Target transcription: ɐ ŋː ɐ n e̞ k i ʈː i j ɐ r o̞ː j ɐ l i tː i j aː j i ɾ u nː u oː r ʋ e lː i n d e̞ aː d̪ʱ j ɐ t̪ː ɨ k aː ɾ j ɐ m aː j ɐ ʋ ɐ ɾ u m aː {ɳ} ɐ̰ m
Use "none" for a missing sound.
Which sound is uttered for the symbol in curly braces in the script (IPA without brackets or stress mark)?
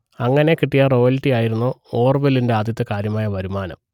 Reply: n